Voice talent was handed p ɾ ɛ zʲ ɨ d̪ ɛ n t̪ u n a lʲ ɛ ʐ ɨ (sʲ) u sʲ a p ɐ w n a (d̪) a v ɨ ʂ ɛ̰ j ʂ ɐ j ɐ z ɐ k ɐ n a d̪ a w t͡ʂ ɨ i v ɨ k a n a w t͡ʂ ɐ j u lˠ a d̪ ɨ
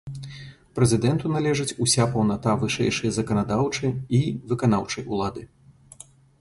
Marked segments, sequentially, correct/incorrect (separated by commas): incorrect, incorrect